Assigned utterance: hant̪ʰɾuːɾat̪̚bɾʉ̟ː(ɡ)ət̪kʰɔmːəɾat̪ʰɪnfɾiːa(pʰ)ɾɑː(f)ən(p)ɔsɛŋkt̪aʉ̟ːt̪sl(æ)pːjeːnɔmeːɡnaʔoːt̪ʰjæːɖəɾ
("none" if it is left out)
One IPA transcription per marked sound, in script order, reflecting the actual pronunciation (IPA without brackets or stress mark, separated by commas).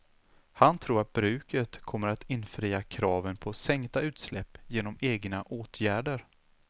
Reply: k, kʰ, v, pʰ, ɛ